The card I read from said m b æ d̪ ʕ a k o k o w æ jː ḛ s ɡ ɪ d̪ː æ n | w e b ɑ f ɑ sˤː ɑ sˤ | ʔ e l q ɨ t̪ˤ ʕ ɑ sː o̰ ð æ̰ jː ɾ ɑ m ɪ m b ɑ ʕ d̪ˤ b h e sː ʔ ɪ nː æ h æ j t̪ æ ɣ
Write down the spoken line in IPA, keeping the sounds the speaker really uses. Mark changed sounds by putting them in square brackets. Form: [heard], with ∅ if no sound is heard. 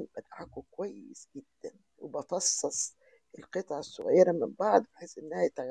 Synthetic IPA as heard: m b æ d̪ ʕ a k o k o w æ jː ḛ s ɡ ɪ d̪ː æ n | w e b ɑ f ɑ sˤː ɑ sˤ | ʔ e l q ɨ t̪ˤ ʕ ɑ sː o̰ [ɣ] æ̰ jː ɾ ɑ m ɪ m b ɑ ʕ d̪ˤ b [ħ] e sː ʔ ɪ nː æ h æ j t̪ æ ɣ

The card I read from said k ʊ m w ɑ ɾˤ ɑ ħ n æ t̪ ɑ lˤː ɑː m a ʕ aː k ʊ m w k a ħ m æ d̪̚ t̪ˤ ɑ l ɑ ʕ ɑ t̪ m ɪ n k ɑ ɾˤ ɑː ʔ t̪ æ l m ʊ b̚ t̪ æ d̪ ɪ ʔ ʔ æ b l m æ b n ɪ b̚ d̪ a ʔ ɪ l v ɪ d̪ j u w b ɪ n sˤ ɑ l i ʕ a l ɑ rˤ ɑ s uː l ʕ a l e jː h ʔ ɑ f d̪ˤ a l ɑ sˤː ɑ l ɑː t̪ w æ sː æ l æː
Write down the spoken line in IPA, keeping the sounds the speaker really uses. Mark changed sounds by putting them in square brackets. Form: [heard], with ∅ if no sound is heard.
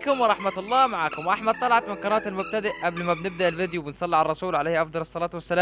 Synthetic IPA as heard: k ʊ m w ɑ ɾˤ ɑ ħ [m] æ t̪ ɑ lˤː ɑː m a ʕ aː k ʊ m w [ʔ] a ħ m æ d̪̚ t̪ˤ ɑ l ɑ ʕ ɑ t̪ m ɪ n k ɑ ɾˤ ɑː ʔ t̪ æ l m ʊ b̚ t̪ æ d̪ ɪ ʔ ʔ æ b l m æ b n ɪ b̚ d̪ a ʔ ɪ l v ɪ d̪ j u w b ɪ n sˤ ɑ [lː] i ʕ a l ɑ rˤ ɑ s uː l ʕ a l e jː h ʔ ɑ f d̪ˤ [ɑ] l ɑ sˤː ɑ l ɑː t̪ w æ sː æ l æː

